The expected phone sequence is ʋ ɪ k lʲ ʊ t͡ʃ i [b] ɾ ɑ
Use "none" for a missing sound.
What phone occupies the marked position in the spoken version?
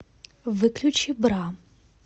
b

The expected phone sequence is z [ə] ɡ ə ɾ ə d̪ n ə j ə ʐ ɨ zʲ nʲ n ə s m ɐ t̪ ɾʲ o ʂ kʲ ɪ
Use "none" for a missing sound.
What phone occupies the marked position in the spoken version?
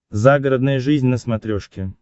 a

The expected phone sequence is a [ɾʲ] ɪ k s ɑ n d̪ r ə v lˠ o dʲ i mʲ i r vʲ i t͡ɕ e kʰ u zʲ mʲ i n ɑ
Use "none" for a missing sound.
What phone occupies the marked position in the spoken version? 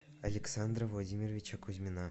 lʲ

